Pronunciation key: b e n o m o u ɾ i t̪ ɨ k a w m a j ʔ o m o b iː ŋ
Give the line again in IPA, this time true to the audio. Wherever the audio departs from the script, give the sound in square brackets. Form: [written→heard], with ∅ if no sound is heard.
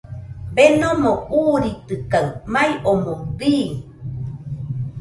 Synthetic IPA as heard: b e n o m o u ɾ i t̪ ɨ k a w m a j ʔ o m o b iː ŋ